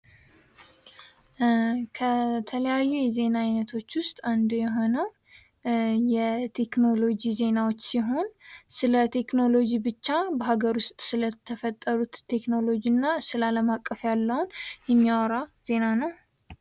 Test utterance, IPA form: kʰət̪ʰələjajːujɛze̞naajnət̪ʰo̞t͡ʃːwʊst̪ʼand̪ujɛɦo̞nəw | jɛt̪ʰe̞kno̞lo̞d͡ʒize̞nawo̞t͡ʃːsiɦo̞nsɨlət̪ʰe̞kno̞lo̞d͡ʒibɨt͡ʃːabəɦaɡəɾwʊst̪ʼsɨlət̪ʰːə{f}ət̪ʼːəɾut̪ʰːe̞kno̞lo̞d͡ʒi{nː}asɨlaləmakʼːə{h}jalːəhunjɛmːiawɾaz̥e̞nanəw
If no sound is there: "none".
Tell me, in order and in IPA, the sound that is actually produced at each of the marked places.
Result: f, nː, f

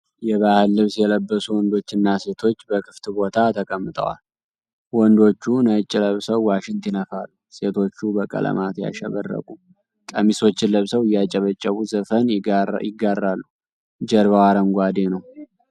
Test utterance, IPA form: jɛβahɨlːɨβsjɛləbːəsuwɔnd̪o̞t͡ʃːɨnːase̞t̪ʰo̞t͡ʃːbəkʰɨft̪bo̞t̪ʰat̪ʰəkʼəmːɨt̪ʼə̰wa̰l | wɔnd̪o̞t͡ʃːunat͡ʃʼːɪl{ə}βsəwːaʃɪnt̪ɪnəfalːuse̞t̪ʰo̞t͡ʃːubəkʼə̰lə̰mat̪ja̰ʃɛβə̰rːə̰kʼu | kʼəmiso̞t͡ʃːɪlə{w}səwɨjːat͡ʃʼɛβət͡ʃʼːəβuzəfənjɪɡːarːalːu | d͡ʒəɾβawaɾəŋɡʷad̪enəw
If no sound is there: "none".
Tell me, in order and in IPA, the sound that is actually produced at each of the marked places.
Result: ə, β

